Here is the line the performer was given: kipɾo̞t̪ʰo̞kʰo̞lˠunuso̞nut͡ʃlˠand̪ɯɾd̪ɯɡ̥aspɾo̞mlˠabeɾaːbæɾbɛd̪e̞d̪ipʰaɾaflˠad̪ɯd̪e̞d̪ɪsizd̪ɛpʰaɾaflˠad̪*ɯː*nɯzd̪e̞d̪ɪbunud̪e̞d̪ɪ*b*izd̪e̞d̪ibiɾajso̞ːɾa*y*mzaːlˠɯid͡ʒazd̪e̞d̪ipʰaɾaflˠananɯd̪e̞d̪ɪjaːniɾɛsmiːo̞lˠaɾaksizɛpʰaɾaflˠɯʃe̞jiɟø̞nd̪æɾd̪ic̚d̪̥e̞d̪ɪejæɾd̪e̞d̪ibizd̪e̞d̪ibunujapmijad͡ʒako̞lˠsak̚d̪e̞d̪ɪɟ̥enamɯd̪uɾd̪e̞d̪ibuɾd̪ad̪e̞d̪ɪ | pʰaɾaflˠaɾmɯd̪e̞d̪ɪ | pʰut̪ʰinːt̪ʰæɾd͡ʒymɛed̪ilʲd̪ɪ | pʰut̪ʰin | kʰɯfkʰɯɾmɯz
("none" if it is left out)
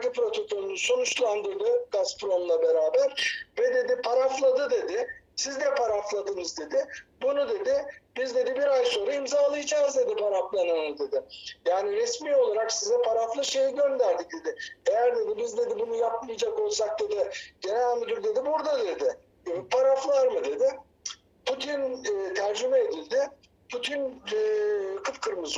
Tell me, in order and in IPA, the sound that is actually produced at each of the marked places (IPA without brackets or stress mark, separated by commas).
ɯ, b, i